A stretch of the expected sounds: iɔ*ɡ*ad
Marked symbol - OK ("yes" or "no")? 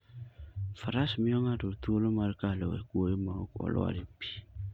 no